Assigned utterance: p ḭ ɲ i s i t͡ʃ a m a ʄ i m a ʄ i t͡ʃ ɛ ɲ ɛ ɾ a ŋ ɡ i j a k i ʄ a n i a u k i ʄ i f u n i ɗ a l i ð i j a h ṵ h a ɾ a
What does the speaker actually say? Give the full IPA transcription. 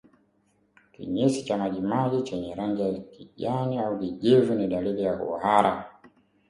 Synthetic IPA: k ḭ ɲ i s i t͡ʃ a m a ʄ i m a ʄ i t͡ʃ ɛ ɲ ɛ ɾ a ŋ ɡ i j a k i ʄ a n i a u k i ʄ i v u n i ɗ a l i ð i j a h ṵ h a ɾ a